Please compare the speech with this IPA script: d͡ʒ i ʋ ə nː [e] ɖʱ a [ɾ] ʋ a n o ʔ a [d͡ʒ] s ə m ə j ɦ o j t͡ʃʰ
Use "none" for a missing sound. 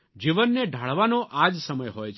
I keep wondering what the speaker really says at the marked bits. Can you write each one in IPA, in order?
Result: e, ɭ, d͡ʒ

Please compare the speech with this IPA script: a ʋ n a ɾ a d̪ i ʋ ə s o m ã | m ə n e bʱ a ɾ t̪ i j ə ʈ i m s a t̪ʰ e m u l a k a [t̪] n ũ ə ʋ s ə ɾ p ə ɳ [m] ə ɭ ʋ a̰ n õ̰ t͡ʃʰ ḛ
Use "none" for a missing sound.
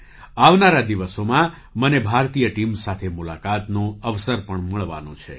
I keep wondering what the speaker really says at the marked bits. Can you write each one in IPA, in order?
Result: t̪, m

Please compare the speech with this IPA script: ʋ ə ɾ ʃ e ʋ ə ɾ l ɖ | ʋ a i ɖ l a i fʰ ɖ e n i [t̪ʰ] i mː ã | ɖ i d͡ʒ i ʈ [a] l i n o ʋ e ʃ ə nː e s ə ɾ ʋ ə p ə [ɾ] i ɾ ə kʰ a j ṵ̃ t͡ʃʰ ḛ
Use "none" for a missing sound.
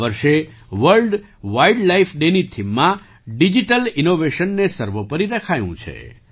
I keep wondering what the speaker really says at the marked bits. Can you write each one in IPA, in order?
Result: t̪ʰ, ə, ɾ

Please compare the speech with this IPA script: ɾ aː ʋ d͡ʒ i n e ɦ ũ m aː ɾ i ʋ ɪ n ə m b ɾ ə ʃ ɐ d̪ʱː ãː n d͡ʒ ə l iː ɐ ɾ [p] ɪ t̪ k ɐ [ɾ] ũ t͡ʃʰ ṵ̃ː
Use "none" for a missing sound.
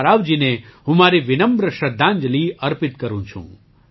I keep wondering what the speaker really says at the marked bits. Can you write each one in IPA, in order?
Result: p, ɾ

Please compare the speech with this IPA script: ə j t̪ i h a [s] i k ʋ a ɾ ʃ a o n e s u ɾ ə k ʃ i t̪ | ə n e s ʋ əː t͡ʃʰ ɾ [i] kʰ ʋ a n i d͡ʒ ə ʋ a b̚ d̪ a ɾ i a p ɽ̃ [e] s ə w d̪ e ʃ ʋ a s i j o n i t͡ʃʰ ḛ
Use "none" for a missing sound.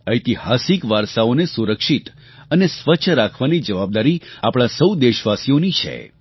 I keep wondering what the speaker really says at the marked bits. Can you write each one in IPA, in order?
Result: s, a, a

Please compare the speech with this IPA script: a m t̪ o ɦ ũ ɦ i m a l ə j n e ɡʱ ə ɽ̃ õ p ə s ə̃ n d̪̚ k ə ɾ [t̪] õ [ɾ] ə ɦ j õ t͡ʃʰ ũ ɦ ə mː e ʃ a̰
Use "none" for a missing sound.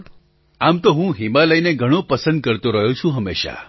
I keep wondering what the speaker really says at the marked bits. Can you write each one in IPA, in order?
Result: t̪, ɾ

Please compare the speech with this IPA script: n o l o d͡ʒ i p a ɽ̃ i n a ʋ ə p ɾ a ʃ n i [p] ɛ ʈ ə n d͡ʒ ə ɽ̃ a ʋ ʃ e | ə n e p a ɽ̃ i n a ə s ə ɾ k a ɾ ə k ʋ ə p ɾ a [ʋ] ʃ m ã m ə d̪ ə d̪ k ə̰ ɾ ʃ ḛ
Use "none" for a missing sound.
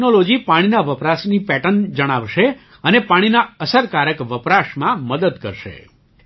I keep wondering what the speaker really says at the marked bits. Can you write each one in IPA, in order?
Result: p, none

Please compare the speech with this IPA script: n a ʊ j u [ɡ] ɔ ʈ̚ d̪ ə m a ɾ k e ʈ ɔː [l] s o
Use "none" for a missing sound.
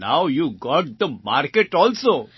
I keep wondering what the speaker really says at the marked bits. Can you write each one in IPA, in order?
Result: ɡ, l

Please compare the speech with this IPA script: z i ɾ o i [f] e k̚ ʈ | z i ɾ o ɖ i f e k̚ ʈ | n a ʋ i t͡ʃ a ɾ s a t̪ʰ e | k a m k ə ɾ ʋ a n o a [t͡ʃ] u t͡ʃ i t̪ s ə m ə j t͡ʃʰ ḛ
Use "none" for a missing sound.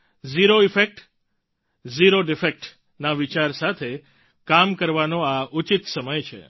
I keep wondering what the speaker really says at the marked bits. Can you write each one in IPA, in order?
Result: f, none

